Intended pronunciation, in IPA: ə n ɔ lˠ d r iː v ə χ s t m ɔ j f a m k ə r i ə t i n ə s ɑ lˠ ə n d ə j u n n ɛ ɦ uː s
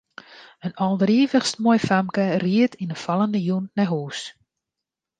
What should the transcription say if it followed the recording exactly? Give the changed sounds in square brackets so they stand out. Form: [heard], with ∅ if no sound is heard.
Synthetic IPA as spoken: ə n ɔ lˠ d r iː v ə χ s t m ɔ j f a m k ə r i ə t i n ə [f] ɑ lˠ ə n d ə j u n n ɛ ɦ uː s